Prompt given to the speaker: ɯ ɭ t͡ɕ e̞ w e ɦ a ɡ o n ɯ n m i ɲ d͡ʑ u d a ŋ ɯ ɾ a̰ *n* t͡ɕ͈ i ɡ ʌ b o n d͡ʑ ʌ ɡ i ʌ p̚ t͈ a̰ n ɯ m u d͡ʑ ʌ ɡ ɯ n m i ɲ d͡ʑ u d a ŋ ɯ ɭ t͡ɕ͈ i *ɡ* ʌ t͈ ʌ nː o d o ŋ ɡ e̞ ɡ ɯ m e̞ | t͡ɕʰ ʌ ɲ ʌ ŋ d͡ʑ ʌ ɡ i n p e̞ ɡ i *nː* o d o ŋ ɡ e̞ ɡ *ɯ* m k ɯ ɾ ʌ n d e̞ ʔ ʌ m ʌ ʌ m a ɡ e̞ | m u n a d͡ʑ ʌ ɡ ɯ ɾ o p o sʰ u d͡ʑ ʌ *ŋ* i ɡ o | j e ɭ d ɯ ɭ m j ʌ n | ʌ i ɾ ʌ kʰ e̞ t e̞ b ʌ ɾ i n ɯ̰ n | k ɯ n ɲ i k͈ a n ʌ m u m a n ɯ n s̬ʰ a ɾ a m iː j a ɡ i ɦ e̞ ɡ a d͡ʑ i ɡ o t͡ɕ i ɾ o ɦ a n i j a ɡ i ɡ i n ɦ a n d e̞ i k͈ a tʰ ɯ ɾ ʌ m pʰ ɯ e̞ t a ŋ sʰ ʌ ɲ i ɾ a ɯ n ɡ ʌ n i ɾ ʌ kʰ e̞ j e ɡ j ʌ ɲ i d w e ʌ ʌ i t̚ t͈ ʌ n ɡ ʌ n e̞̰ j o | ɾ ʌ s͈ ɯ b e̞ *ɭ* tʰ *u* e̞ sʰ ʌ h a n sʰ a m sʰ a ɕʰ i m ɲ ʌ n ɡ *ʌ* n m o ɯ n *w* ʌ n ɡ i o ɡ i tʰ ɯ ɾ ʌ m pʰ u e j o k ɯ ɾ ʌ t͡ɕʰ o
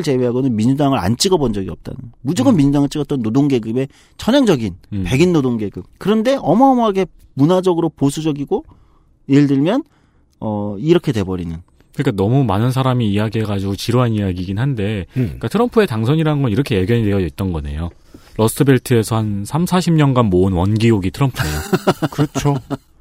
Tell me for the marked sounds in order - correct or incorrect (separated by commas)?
correct, correct, correct, correct, incorrect, correct, incorrect, incorrect, correct